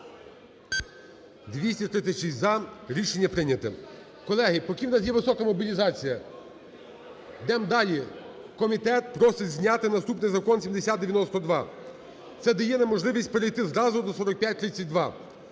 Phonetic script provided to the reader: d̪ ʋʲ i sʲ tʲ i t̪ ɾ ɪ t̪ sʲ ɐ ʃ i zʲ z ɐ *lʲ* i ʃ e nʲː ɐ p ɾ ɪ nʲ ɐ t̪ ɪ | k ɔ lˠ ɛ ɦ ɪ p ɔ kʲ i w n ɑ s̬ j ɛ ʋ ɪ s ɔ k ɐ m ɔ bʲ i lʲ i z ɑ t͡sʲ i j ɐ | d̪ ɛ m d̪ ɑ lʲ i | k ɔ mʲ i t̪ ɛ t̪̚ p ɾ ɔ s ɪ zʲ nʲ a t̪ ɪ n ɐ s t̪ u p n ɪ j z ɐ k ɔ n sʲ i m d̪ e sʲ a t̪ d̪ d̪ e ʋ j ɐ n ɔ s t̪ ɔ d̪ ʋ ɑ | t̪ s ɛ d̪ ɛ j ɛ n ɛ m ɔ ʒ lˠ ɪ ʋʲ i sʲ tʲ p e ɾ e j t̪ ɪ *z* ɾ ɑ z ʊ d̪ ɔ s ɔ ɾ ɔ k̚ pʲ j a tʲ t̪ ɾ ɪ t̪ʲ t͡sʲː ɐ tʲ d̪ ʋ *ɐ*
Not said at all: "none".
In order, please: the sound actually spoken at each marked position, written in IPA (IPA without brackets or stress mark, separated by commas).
ɾʲ, z, ɑ